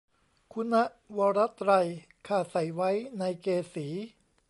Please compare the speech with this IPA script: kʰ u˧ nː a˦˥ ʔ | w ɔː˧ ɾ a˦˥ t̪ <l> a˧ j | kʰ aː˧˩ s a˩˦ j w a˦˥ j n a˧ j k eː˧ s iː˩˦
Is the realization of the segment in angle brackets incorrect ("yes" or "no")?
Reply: yes